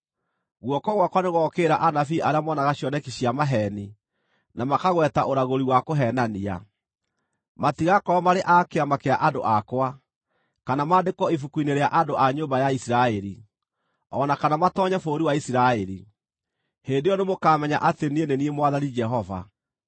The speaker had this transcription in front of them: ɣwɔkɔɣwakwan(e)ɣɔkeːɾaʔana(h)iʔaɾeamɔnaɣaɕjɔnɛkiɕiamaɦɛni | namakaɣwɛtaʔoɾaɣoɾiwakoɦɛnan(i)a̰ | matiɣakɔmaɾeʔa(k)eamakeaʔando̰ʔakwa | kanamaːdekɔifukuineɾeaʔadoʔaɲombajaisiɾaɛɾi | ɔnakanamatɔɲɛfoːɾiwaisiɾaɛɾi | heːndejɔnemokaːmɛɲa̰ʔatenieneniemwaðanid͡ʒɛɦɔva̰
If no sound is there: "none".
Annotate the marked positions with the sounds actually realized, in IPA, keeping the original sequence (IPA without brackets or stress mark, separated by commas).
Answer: e, f, i, k